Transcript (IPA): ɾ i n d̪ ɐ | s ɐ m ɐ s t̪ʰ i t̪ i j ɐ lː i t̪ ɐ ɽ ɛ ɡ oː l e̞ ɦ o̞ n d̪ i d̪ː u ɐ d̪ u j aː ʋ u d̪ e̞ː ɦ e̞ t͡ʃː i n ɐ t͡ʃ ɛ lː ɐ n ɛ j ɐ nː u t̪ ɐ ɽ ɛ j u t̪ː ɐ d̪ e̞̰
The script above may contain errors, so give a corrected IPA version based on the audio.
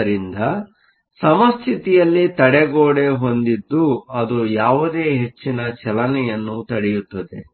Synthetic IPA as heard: ɾ i n d̪ ɐ | s ɐ m ɐ s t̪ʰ i t̪ i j ɐ lː i t̪ ɐ ɽ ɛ ɡ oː ɽ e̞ ɦ o̞ n d̪ i d̪ː u ɐ d̪ u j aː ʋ u d̪ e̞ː ɦ e̞ t͡ʃː i n ɐ t͡ʃ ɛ l ɐ n ɛ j ɐ nː u t̪ ɐ ɽ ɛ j u t̪ː ɐ d̪ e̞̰